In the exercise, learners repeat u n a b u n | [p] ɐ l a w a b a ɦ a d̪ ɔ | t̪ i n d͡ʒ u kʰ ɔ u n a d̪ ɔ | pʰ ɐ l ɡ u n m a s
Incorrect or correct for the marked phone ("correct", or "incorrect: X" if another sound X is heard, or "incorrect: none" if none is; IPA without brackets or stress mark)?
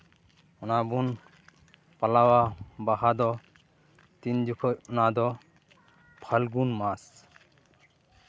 correct